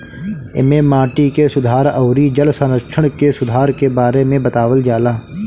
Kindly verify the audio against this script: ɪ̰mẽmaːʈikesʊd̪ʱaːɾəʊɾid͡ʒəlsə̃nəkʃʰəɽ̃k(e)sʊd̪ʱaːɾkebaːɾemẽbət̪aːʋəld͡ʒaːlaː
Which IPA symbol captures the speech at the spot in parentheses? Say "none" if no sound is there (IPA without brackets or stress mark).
e